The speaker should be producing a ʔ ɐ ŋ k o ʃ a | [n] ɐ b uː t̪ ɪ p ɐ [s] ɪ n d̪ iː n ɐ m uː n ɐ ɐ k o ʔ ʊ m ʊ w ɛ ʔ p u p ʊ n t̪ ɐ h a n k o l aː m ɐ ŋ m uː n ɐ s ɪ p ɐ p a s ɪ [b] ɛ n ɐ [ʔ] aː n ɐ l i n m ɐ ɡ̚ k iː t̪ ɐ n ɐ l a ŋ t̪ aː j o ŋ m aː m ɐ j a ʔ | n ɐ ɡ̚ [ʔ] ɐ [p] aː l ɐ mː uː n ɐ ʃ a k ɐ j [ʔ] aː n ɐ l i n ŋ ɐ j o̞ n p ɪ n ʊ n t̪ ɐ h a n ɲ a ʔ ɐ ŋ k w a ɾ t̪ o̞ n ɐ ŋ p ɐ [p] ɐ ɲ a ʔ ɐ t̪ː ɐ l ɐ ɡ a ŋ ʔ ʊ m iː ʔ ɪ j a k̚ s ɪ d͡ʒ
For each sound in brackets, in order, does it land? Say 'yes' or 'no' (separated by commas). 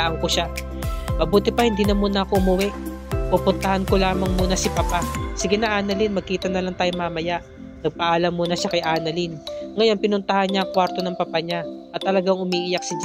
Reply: no, no, no, yes, no, no, yes, yes